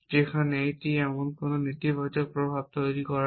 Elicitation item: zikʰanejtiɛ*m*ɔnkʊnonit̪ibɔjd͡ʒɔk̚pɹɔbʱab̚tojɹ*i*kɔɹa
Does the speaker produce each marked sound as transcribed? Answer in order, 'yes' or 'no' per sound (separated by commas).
yes, yes